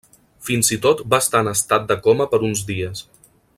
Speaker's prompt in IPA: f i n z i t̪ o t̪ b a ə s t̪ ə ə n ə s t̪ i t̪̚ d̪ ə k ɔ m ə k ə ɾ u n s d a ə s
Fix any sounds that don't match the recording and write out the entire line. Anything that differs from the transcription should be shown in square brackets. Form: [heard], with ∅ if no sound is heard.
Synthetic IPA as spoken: f i n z i t̪ o t̪ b a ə s t̪ [a] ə n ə s t̪ [a] t̪̚ d̪ ə k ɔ m ə [p] ə ɾ u n [z] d [i] ə s